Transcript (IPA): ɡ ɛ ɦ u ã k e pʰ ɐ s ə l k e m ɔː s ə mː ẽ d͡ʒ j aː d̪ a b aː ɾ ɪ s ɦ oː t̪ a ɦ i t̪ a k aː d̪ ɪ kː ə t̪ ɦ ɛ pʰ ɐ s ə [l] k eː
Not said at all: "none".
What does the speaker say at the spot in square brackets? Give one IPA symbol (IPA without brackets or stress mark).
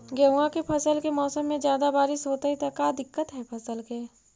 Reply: l